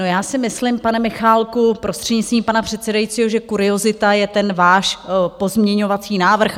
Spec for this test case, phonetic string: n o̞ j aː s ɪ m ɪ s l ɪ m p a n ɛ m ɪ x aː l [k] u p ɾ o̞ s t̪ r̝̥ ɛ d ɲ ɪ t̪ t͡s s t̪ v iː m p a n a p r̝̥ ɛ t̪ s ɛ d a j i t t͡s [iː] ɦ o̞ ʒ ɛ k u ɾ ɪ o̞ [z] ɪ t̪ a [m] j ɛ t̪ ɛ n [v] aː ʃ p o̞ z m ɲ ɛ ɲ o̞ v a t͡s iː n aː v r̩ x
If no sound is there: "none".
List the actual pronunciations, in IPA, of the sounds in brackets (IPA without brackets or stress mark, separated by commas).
k, iː, z, none, v